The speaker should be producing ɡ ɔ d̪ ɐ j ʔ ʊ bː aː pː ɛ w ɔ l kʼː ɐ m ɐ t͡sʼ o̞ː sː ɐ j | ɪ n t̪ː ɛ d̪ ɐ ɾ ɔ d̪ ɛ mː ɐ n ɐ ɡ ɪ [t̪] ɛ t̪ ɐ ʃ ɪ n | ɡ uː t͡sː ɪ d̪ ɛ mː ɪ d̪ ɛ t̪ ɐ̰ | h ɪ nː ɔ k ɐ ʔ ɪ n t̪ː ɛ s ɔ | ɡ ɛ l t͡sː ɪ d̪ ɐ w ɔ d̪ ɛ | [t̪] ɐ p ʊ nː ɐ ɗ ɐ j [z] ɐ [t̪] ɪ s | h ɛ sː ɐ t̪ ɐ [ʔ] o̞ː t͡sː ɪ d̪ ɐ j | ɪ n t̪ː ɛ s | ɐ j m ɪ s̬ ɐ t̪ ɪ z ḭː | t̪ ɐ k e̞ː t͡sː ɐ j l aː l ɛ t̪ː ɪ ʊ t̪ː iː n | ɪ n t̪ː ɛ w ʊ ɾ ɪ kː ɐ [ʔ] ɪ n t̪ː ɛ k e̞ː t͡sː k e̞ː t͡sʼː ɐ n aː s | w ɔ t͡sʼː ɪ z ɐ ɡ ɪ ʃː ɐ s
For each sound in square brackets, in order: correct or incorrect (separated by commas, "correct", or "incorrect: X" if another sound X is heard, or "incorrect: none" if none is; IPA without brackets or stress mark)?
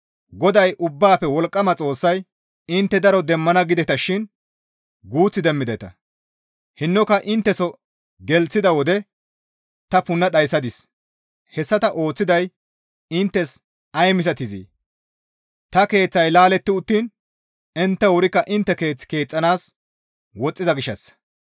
incorrect: d̪, correct, incorrect: s, incorrect: d̪, correct, correct